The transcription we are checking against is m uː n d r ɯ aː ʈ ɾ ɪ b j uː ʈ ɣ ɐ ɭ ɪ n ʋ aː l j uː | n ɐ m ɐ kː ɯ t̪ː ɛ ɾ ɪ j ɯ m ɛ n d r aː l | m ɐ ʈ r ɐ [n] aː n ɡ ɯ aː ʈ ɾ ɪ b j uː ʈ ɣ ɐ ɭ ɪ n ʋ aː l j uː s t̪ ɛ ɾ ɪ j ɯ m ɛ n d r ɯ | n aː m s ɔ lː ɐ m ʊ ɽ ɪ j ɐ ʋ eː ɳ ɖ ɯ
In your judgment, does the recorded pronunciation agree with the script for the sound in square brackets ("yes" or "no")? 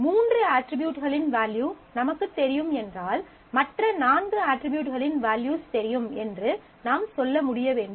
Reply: yes